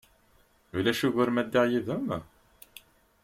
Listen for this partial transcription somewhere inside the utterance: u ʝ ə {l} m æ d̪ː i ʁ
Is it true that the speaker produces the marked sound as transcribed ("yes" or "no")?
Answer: no